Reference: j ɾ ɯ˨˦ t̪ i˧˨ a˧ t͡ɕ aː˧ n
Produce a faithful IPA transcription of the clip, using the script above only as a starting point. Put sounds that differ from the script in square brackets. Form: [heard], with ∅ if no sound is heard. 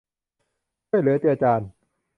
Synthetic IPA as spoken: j [l] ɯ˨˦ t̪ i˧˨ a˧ t͡ɕ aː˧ n